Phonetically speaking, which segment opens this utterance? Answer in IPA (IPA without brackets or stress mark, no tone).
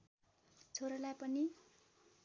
t͡sʰ